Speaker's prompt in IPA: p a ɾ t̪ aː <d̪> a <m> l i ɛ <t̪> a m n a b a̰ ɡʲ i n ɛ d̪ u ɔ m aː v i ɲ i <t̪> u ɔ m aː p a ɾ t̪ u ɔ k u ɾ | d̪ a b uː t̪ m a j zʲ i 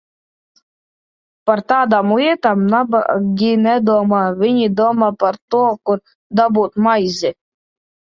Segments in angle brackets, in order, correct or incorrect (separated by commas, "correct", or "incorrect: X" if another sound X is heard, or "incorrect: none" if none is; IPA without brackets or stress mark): correct, correct, correct, incorrect: d̪